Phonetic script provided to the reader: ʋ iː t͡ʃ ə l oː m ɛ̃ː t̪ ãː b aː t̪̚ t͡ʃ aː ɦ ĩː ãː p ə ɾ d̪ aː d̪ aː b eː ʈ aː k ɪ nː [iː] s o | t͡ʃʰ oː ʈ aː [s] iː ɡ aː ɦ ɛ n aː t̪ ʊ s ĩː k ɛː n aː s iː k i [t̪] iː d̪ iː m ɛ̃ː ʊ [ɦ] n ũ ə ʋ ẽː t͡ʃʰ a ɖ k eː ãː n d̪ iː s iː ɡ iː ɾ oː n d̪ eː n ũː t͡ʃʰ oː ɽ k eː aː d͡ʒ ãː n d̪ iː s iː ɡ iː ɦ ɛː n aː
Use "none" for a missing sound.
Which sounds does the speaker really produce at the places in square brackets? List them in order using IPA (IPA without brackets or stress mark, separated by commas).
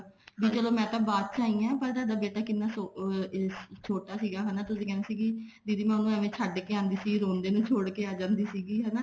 aː, s, d̪, none